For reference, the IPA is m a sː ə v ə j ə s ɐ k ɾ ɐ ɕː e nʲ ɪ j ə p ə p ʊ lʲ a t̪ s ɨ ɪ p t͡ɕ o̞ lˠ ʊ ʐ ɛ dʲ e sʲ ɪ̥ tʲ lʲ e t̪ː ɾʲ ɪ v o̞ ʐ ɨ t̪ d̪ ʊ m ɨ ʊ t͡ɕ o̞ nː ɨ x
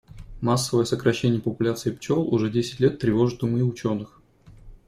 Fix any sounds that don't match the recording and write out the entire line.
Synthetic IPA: m a sː ə v ə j ə s ə k ɾ ɐ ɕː e nʲ ɪ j ə p ə p ʊ lʲ a t̪ s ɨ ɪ p t͡ɕ o̞ lˠ ʊ ʐ ɛ dʲ e sʲ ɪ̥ tʲ lʲ e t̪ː ɾʲ ɪ v o̞ ʐ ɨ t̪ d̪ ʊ m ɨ ʊ t͡ɕ o̞ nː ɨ x